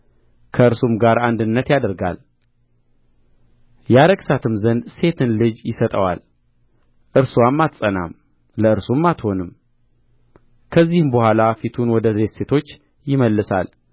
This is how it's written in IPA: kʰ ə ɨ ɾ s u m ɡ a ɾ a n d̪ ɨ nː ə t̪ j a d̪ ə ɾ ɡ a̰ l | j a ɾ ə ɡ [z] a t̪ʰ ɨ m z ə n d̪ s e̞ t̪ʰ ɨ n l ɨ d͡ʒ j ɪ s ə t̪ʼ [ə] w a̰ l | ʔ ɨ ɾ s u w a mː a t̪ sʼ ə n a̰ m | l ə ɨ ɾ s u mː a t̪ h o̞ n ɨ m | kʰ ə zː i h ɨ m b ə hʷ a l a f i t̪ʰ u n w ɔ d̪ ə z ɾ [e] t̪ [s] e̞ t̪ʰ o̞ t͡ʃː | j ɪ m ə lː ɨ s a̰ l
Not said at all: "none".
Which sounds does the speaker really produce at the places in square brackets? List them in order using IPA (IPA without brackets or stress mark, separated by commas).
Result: s, ə, e, s